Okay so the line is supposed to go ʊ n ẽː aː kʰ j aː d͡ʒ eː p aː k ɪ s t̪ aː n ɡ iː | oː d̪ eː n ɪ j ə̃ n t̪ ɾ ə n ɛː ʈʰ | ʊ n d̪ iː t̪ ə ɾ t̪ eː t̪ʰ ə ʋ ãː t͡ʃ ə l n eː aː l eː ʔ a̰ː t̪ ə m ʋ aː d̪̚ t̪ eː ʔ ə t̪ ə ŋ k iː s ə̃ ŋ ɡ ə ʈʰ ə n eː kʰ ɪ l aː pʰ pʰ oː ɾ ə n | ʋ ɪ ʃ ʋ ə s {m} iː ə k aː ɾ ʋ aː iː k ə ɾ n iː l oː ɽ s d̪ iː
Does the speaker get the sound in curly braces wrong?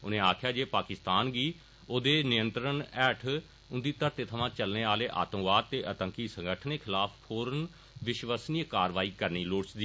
yes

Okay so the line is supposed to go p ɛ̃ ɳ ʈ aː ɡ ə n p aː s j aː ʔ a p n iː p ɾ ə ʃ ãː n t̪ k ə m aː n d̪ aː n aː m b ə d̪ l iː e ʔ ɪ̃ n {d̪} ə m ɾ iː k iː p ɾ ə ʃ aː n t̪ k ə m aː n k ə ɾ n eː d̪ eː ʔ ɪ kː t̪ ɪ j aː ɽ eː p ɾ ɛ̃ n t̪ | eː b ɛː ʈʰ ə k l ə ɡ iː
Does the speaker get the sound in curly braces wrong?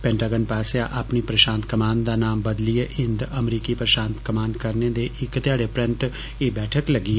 no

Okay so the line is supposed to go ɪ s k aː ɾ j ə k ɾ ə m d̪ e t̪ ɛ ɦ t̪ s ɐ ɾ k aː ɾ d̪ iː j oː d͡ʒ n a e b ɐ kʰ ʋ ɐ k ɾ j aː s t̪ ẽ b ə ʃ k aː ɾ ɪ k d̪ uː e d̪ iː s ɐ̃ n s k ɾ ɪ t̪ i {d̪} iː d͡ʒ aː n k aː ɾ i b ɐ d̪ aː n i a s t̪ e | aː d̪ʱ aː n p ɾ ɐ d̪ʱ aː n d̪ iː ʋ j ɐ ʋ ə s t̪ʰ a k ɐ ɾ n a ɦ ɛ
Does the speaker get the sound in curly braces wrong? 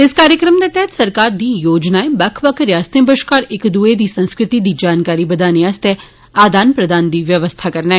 no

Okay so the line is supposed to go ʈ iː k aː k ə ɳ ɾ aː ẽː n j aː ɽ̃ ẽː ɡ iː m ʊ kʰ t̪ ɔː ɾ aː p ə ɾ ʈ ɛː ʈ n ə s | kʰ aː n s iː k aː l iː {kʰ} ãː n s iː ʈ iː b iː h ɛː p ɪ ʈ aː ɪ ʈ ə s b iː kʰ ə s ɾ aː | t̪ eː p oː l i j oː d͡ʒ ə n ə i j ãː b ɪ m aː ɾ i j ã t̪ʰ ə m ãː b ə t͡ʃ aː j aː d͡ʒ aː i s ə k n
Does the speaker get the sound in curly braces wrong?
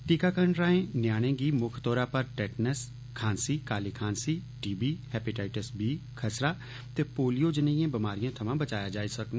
no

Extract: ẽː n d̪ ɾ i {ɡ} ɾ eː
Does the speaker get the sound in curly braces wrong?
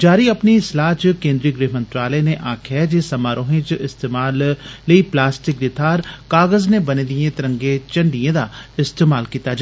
no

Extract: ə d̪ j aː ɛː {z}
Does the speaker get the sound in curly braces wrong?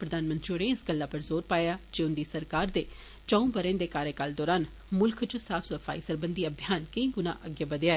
yes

